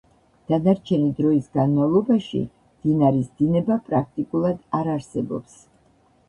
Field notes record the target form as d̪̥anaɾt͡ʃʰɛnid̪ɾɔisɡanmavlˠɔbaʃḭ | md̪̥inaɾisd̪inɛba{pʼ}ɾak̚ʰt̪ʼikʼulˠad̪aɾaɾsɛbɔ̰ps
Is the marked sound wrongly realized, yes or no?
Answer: no